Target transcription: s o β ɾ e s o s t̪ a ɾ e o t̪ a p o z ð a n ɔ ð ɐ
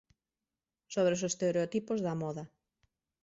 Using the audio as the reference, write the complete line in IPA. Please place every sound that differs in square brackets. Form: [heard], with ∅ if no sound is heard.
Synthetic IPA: s o β ɾ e s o s t̪ [e] ɾ e o t̪ [i] p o z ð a [m] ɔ ð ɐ